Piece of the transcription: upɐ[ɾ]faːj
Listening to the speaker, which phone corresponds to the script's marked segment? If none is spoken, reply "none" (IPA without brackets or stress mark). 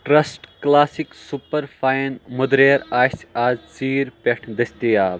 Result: ɾ